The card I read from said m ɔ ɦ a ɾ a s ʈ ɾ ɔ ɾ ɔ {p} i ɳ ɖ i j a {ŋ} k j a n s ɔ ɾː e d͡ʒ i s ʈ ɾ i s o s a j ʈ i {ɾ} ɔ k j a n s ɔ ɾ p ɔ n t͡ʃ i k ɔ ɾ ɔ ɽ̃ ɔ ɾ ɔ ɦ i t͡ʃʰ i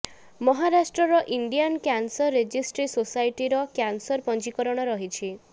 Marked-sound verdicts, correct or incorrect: incorrect, incorrect, correct

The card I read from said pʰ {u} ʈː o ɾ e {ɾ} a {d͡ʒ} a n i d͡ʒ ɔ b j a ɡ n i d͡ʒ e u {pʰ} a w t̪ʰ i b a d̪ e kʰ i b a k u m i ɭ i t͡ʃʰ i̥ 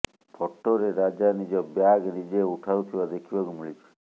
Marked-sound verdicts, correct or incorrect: incorrect, correct, correct, incorrect

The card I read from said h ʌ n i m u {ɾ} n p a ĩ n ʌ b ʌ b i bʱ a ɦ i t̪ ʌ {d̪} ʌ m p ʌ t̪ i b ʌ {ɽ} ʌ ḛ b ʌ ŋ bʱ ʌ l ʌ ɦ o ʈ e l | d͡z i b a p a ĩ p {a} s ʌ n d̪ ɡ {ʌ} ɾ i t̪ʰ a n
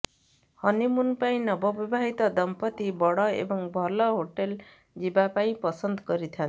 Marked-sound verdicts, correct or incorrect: incorrect, correct, correct, incorrect, correct

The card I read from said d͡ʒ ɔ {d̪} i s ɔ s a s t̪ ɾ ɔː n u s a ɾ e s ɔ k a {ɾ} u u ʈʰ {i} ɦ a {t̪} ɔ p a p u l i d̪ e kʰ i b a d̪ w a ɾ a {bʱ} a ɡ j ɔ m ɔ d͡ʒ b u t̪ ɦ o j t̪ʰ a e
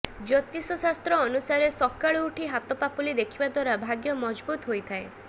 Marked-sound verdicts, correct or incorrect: incorrect, incorrect, correct, correct, correct

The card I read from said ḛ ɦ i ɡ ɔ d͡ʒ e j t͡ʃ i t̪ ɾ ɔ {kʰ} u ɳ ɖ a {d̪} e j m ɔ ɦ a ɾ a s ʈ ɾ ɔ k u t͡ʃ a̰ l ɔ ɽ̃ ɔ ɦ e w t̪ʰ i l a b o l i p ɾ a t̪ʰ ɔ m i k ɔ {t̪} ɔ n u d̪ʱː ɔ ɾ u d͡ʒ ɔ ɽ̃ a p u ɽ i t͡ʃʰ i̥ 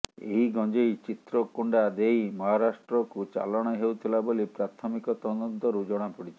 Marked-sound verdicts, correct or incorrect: incorrect, correct, correct

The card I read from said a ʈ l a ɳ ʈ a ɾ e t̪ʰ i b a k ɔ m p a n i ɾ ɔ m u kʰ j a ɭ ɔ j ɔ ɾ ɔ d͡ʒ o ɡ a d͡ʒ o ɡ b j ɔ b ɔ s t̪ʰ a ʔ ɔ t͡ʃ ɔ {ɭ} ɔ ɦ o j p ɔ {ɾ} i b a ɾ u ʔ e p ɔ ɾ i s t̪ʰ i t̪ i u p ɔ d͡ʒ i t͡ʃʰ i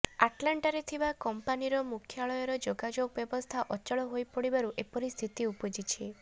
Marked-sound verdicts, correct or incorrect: correct, incorrect

